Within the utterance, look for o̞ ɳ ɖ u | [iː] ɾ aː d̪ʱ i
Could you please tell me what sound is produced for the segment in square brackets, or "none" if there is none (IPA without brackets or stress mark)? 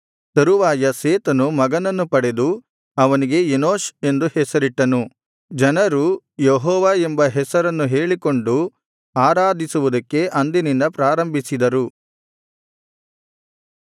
aː